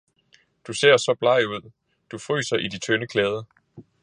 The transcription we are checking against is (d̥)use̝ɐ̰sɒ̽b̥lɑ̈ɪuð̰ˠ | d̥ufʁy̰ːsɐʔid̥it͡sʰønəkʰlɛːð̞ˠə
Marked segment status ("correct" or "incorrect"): correct